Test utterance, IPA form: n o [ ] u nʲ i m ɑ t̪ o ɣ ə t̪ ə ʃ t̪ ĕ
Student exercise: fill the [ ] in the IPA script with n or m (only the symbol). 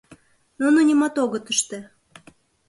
n